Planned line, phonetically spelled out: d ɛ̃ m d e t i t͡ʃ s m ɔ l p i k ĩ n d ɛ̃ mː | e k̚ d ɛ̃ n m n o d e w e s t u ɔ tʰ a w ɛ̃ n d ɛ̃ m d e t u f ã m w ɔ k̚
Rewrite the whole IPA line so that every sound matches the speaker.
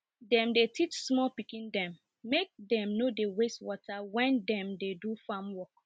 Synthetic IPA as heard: d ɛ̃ m d e t i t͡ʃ s m ɔ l p i k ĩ n d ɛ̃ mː | e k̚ d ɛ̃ m n o d e w e s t w ɔ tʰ a w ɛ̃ n d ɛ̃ m d e d u f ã m w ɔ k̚